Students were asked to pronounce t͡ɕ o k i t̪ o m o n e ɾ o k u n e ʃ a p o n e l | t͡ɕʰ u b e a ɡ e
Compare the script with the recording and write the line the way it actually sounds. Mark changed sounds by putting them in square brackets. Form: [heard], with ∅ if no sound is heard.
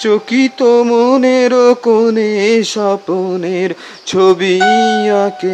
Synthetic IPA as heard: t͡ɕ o k i t̪ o m o n e ɾ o k [o] n e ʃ a p o n e [ɾ] | t͡ɕʰ [o] b [i] a [k] e